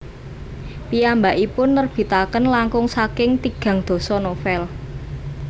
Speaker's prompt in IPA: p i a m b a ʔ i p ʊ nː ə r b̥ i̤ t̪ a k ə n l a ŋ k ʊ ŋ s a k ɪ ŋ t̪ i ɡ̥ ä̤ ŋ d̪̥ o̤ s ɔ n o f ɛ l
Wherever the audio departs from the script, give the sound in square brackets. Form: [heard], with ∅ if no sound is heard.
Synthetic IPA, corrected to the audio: p i a m b a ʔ i p ʊ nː ə r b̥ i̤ t̪ a k ə n l a ŋ k ʊ ŋ s a k ɪ ŋ t̪ i ɡ̥ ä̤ ŋ d̪̥ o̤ s ɔ n o f ɛ l